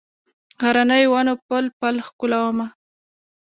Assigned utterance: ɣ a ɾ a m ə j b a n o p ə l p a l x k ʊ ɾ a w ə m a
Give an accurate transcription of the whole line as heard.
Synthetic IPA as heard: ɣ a ɾ a n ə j w a n o p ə l p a l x k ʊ l a w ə m a